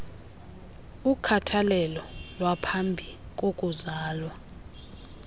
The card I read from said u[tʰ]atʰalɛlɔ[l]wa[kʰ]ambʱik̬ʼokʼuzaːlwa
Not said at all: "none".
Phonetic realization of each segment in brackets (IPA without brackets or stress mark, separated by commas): kʰ, l, pʰ